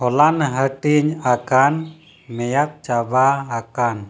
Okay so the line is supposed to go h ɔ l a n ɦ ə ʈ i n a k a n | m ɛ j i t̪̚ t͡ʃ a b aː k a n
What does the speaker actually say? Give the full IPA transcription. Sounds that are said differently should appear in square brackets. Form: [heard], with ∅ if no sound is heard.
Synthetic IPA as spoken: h ɔ l a n ɦ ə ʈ i [ɲ] a k a n | m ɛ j [a] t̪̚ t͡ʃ a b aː k a n